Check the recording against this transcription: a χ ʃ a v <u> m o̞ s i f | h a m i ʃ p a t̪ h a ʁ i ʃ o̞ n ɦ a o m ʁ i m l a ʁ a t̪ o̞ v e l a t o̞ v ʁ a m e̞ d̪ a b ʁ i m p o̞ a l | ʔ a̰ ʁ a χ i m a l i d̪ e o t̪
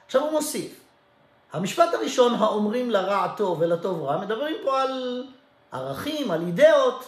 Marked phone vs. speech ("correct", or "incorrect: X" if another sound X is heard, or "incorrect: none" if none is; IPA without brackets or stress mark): correct